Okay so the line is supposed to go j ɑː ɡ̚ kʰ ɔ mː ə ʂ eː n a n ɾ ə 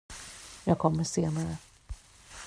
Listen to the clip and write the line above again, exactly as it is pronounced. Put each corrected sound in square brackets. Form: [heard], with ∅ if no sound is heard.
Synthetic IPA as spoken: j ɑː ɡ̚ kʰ ɔ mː ə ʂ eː n a [∅] ɾ ə